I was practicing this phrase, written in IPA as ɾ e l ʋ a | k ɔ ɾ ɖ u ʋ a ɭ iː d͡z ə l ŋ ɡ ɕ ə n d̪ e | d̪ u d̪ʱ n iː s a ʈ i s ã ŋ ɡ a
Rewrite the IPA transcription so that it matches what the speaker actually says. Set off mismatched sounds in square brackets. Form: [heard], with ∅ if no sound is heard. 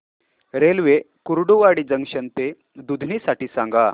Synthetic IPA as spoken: ɾ e l ʋ [e] | k [u] ɾ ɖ u ʋ a [ɽ] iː d͡z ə [∅] ŋ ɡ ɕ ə n [t̪] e | d̪ u d̪ʱ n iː s a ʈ [iː] s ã ŋ ɡ a